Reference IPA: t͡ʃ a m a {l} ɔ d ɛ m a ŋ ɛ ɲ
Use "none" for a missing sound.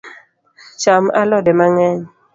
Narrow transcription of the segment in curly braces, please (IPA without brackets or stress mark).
l